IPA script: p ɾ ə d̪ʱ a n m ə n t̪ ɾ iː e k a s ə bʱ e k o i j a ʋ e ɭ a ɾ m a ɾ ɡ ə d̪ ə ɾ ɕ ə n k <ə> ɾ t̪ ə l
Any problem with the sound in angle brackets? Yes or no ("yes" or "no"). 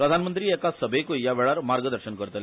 no